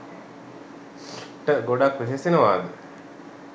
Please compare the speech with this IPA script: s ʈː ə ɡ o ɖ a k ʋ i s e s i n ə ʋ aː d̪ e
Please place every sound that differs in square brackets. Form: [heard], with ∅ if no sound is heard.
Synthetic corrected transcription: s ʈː ə ɡ o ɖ a k ʋ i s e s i n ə ʋ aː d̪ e